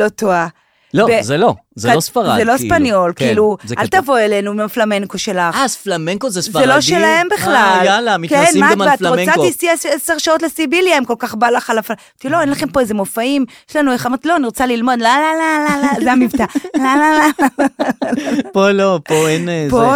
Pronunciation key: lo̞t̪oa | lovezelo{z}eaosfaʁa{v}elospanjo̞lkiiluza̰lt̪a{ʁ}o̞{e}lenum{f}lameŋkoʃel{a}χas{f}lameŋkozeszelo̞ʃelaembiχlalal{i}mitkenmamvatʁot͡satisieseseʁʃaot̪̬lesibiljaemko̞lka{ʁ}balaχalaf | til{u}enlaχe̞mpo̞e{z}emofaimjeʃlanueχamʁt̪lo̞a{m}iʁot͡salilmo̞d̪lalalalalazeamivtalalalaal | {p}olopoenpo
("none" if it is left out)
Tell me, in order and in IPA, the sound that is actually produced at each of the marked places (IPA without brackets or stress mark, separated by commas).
z, z, v, e, f, a, f, a, χ, o, z, n, p